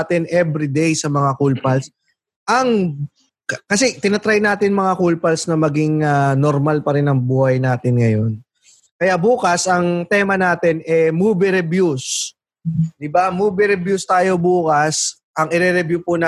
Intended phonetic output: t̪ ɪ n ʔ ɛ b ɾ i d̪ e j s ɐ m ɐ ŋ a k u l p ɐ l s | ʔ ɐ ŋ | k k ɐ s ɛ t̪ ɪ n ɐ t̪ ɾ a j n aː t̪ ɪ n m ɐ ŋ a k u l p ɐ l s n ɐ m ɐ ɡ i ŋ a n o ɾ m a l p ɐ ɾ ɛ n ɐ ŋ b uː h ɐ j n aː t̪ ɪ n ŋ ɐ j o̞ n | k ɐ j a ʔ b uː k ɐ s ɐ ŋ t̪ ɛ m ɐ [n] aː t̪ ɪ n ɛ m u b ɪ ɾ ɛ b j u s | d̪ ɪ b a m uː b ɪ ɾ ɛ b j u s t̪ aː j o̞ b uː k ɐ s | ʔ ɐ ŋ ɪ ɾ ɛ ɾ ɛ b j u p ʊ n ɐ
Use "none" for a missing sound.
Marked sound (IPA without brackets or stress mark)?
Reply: n